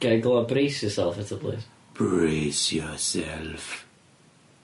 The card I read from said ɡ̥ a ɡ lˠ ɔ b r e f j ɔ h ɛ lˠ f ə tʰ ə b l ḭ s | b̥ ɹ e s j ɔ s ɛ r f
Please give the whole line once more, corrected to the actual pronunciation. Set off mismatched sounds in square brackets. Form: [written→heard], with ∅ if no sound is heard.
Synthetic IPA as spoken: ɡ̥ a ɡ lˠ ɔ b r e [f→s] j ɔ [h→s] ɛ lˠ f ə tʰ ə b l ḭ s | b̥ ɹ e s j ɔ s ɛ [r→l] f